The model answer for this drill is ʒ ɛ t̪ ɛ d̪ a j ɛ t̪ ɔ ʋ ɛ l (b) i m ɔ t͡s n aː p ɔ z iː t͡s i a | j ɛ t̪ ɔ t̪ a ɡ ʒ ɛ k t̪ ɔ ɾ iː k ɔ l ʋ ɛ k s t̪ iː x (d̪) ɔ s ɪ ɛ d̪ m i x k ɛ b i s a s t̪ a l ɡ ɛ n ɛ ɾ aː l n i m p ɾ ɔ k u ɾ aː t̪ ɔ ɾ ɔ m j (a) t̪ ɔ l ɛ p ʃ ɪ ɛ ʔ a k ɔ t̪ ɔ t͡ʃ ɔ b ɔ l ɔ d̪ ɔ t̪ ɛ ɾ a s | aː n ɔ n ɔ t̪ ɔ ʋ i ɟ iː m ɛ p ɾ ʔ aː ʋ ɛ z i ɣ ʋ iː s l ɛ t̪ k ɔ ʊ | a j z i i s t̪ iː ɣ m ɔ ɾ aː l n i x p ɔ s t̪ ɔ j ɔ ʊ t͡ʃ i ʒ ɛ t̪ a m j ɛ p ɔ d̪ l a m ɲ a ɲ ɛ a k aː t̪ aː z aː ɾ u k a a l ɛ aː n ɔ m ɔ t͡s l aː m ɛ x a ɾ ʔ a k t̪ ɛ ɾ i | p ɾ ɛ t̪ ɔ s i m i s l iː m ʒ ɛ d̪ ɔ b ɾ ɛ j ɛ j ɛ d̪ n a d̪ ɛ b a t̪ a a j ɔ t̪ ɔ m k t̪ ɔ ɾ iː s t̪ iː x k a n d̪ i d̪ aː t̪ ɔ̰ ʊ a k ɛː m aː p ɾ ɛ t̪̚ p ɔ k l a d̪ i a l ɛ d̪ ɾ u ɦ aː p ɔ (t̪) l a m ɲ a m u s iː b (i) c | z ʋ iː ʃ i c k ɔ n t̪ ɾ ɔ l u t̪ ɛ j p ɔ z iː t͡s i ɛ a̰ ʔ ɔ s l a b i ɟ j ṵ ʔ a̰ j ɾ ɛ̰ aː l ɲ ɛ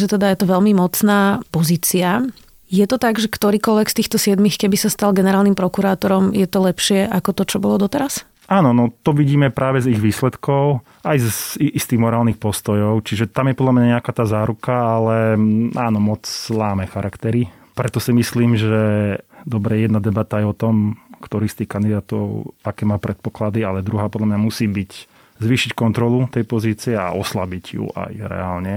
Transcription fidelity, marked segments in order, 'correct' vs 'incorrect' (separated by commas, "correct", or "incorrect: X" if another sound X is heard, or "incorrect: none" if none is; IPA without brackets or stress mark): incorrect: m, incorrect: t̪, incorrect: ɛ, incorrect: d̪, correct